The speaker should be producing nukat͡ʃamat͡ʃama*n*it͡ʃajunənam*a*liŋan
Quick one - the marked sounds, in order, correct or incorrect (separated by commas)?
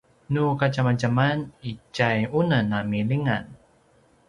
correct, incorrect